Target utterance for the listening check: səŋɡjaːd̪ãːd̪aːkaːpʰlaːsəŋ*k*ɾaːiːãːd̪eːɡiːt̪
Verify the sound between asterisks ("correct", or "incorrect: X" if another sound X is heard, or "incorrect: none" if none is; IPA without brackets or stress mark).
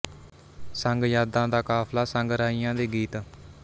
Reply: incorrect: ɡ